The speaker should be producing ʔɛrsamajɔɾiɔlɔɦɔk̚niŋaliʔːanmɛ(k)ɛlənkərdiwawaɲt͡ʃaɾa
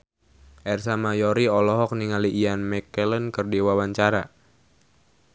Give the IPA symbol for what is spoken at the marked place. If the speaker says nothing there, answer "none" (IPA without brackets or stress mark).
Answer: k